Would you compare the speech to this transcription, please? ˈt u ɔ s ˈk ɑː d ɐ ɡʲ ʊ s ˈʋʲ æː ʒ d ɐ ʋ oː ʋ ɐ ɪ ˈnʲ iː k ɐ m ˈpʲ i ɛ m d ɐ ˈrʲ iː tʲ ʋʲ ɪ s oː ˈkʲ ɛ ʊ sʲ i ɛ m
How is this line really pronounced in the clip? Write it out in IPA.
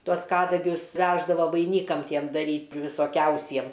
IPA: ˈt u ɔ s ˈk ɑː d ɐ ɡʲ ʊ s ˈʋʲ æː ʒ d ɐ ʋ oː ʋ ɐ ɪ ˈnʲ iː k ɐ m ˈtʲ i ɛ m d ɐ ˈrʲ iː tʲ ʋʲ ɪ s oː ˈkʲ ɛ ʊ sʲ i ɛ m